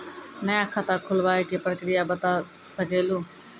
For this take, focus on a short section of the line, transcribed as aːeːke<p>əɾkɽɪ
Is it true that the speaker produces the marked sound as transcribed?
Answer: yes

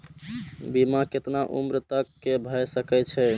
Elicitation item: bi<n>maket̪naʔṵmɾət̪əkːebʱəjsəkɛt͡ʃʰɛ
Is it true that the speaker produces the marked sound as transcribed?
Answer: no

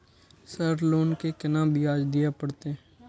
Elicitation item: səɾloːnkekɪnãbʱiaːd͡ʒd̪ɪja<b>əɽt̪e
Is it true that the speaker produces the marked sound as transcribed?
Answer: no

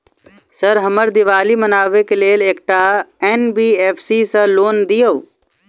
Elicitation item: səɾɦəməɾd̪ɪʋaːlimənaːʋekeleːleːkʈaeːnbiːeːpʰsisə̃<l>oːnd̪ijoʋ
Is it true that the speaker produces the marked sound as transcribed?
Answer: yes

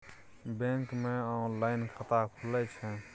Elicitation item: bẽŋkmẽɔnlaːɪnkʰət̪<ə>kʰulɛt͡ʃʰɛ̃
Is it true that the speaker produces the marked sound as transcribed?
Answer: no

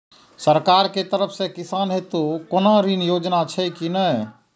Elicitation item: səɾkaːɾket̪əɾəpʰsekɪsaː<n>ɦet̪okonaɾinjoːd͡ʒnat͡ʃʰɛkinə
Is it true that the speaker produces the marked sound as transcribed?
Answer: yes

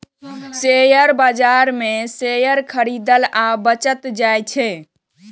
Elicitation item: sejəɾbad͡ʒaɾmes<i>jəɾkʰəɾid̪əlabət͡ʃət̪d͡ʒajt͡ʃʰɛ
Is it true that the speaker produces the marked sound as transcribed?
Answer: no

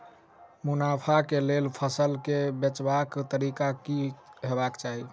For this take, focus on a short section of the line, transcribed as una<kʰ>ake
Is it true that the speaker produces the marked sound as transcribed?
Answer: no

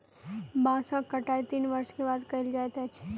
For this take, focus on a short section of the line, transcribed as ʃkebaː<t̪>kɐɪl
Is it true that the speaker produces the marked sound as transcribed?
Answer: no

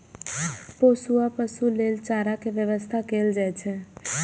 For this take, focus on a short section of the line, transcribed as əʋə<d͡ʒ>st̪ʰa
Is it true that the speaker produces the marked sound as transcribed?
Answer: no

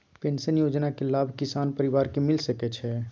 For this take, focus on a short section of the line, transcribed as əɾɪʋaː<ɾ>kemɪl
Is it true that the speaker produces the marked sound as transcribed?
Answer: yes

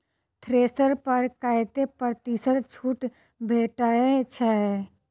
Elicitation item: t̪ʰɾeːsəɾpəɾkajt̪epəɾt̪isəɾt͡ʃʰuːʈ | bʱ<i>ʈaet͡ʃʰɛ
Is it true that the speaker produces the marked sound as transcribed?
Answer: no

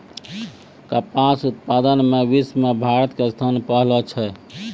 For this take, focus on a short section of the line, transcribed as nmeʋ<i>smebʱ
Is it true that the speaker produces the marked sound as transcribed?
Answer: yes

